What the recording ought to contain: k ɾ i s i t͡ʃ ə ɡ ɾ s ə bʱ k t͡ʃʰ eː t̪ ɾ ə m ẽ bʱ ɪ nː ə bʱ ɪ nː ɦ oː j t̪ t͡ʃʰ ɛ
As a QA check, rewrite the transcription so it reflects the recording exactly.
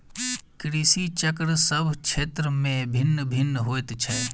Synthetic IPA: k ɾ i s i t͡ʃ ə k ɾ s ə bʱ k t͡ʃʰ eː t̪ ɾ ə m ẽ bʱ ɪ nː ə bʱ ɪ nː ɦ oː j t̪ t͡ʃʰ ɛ

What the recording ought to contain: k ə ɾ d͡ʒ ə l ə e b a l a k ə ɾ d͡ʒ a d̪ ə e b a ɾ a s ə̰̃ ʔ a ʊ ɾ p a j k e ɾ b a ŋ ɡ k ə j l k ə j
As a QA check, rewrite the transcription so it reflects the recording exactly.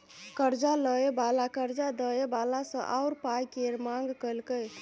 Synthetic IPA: k ə ɾ d͡ʒ a l ə e b a l a k ə ɾ d͡ʒ a d̪ ə e b a l a s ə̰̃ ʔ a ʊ ɾ p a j k e ɾ m a ŋ ɡ k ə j l k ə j

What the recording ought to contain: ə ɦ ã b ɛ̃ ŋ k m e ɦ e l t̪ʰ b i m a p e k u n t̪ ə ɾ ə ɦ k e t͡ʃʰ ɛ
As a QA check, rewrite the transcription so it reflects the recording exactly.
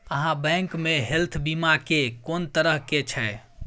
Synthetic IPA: ə ɦ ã b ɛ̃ ŋ k m e ɦ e l t̪ʰ b i m a k e k o n t̪ ə ɾ ə ɦ k e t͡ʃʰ ɛ

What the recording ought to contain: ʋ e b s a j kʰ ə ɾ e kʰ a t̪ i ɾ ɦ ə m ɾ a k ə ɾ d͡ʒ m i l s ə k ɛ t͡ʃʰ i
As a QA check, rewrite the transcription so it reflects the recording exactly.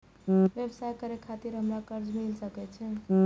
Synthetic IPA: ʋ e b s a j k ə ɾ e kʰ a t̪ i ɾ ɦ ə m ɾ a k ə ɾ d͡ʒ m i l s ə k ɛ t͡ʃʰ ɛ

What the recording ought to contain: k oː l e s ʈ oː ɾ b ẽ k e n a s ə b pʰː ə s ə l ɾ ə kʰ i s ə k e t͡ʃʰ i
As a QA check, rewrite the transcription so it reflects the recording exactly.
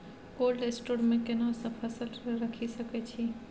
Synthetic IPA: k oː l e s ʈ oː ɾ m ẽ k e n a s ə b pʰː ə s ə l ɾ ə kʰ i s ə k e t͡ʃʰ i

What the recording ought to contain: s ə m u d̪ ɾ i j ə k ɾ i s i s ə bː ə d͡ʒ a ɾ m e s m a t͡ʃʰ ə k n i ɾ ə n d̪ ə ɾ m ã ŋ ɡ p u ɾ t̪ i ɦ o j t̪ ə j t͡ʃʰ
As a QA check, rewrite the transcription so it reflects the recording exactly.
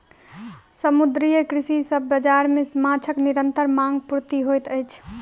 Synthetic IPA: s ə m u d̪ ɾ i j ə k ɾ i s i s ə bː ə d͡ʒ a ɾ m e s m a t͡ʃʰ ə k n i ɾ ə n t̪ ə ɾ m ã ŋ ɡ p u ɾ t̪ i ɦ o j t̪ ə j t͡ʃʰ

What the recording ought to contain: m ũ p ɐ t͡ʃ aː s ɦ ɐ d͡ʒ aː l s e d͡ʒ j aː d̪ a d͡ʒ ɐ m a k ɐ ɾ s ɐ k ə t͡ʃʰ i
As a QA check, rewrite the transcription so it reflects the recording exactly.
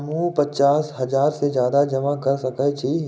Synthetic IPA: m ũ p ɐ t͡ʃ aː s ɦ ɐ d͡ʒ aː ɾ s e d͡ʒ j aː d̪ a d͡ʒ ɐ m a k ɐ ɾ s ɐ k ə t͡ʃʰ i

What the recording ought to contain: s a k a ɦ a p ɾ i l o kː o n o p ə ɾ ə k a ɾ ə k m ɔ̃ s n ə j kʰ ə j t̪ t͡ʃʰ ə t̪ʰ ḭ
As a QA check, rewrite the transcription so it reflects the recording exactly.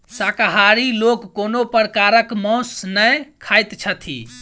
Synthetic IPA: s a k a ɦ a ɾ i l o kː o n o p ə ɾ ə k a ɾ ə k m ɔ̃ s n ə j kʰ a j t̪ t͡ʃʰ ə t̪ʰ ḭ

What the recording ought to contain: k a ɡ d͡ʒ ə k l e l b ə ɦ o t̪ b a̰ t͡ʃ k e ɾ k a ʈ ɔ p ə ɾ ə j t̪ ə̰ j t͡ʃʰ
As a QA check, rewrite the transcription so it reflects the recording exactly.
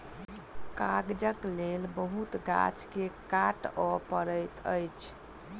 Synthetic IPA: k a ɡ d͡ʒ ə k l e l b ə ɦ u t̪ ɡ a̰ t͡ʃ k e k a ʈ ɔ p ə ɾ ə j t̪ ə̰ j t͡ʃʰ

